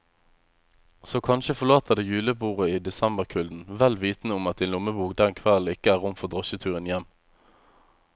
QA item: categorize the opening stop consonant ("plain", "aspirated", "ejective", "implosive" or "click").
aspirated